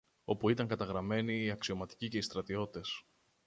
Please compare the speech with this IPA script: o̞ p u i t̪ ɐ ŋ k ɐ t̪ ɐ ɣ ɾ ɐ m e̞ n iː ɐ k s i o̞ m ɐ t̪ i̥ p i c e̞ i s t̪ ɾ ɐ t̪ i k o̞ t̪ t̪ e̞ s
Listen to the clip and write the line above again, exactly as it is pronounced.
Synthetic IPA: o̞ p u i t̪ ɐ ŋ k ɐ t̪ ɐ ɣ ɾ ɐ m e̞ n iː ɐ k s i o̞ m ɐ t̪ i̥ c i c e̞ i s t̪ ɾ ɐ t̪ i o̞ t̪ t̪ e̞ s